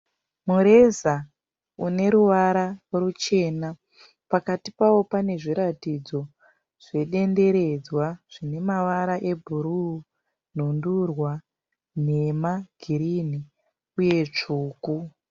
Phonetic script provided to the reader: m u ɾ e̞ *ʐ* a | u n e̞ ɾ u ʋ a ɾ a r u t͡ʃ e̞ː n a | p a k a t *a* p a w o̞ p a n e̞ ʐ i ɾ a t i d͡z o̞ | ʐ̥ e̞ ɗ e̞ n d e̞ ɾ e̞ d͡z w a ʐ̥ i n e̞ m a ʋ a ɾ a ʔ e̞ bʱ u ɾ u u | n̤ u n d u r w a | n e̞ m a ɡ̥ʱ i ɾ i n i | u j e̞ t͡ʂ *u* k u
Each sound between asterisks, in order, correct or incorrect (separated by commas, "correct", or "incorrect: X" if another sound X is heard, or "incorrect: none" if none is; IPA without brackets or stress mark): incorrect: z, incorrect: i, incorrect: uː